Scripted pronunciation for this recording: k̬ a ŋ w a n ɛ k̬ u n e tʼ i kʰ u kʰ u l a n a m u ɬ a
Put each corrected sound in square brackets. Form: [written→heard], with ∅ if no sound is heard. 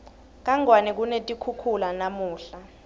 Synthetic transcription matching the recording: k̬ a ŋ w a n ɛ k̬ u n e tʼ i kʰ u kʰ u l a n a m [u→uː] ɬ a